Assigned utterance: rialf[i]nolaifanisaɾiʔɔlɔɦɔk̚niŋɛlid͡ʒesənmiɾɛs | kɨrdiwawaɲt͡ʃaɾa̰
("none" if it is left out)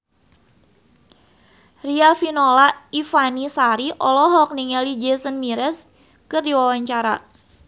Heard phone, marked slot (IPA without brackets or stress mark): i